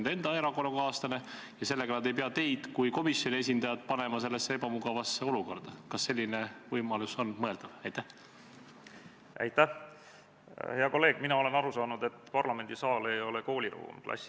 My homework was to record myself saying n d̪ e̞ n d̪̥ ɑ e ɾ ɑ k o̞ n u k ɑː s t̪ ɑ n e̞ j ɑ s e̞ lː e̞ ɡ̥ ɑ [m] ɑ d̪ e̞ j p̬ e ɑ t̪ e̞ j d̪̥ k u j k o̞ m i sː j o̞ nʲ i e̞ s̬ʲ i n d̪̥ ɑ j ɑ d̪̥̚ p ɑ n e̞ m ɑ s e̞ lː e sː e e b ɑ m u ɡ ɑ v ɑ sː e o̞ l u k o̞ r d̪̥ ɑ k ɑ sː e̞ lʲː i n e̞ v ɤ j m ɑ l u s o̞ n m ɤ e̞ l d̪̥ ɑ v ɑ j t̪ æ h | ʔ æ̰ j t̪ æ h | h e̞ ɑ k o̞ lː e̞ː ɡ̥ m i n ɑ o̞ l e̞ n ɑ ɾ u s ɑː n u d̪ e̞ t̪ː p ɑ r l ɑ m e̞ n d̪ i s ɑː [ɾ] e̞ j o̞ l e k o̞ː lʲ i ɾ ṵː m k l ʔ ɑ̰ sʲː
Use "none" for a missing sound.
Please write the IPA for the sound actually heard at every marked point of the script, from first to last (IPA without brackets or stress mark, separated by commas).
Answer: n, l